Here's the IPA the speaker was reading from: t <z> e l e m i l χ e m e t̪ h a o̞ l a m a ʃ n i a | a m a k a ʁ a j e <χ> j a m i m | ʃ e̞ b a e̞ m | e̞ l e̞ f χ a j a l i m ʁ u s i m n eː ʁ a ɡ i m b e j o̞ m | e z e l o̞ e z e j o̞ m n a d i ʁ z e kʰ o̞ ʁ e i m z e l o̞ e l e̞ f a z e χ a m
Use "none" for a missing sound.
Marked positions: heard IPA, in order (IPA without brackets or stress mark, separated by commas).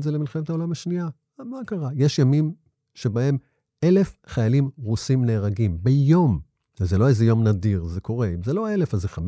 z, ʃ